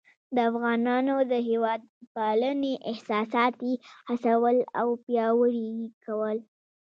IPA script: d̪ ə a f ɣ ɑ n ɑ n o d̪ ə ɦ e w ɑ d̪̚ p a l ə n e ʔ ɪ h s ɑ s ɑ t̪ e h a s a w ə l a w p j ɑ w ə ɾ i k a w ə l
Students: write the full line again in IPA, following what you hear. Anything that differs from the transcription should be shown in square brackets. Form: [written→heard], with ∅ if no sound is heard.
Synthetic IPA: d̪ ə a f ɣ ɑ n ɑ n o d̪ ə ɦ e w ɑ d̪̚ p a l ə n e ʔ ɪ h s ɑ s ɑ t̪ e h a s a w ə l a w p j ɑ w ə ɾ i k a w ə l